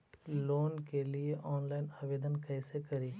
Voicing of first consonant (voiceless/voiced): voiced